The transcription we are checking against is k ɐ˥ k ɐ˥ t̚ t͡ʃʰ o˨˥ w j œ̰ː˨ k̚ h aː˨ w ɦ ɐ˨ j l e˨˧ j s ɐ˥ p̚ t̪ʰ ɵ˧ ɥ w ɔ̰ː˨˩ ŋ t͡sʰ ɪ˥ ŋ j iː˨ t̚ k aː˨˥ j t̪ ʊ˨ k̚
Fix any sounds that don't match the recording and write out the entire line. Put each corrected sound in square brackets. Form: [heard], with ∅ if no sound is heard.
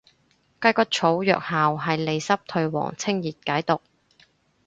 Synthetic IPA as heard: k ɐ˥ k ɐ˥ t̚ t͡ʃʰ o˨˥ w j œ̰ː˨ k̚ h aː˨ w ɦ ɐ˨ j l e˨˧ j s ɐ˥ p̚ t̪ʰ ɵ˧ ɥ w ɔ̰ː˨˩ ŋ t͡sʰ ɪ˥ ŋ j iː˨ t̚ k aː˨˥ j t̪ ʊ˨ k̚